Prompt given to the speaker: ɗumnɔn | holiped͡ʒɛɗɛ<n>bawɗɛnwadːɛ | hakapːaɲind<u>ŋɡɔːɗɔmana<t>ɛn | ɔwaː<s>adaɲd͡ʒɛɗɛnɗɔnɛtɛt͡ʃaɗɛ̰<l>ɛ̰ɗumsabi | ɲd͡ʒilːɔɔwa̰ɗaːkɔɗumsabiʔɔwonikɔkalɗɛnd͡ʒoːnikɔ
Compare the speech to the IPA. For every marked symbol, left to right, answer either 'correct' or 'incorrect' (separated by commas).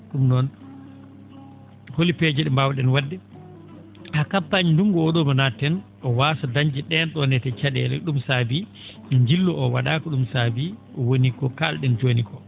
incorrect, correct, correct, correct, correct